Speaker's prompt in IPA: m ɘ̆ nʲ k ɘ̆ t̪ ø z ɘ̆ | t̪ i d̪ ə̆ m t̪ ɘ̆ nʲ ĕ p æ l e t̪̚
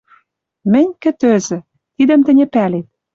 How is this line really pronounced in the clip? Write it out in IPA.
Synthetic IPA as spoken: m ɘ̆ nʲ k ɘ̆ t̪ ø z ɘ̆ | t̪ i d̪ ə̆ m t̪ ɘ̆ nʲ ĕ p æ l e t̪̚